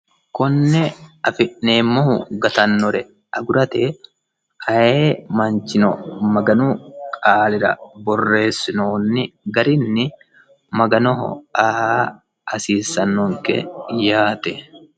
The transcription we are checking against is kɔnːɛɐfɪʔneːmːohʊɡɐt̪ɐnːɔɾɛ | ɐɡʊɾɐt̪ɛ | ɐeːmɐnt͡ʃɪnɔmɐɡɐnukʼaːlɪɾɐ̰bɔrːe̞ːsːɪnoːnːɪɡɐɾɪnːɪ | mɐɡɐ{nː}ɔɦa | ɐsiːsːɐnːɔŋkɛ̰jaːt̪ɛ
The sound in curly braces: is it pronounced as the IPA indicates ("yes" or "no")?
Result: no